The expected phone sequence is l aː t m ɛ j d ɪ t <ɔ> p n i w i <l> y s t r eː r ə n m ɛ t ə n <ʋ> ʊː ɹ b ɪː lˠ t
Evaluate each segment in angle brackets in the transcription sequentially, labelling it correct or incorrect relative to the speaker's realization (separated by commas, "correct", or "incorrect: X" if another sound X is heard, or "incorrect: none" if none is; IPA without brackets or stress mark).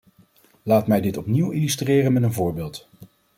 correct, correct, incorrect: v